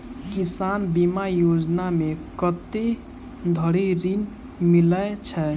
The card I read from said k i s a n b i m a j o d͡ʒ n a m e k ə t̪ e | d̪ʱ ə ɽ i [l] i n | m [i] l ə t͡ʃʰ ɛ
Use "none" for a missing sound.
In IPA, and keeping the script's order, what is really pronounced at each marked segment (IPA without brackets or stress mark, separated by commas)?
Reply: ɾ, i